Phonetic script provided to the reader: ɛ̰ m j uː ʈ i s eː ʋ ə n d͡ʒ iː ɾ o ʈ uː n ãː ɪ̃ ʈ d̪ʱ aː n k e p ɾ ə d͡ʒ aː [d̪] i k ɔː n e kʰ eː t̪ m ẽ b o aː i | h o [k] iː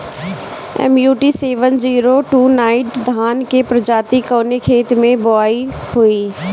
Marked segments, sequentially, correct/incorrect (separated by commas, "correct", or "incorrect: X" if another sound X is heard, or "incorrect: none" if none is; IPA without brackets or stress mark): incorrect: t̪, incorrect: none